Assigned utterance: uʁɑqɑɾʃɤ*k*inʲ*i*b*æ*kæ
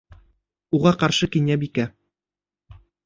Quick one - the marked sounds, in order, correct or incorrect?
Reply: correct, incorrect: æ, incorrect: i

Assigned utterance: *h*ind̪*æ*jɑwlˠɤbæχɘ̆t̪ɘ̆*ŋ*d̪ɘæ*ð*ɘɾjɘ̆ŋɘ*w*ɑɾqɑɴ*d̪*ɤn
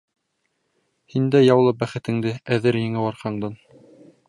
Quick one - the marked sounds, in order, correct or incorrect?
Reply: correct, correct, correct, correct, correct, correct

